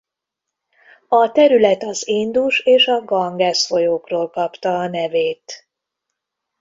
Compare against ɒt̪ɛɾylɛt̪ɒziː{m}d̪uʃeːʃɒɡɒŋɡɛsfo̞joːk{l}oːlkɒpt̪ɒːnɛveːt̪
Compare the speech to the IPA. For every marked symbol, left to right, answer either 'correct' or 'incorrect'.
incorrect: n, incorrect: r

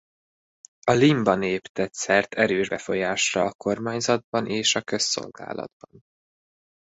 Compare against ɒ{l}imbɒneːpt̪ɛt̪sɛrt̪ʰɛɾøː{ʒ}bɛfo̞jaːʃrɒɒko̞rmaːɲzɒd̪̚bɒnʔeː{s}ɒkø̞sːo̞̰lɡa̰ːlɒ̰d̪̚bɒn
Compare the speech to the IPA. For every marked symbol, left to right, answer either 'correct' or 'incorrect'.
correct, correct, incorrect: ʃ

